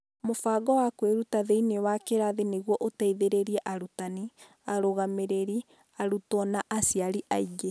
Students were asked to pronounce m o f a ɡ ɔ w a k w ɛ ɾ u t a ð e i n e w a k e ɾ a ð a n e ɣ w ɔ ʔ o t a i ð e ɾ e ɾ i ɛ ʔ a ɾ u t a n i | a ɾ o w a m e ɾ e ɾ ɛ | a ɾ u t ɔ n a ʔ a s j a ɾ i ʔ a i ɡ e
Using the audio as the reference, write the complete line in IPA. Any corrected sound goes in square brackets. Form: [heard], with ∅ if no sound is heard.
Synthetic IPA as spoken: m o f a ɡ ɔ w a k w [e] ɾ u t a ð e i n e w a k e ɾ a ð [e] n e ɣ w ɔ ʔ o t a i ð e ɾ e ɾ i ɛ ʔ a ɾ u t a n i | a ɾ o [ɣ] a m e ɾ e ɾ [i] | a ɾ u t ɔ n a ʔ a s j a ɾ i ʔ a i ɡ e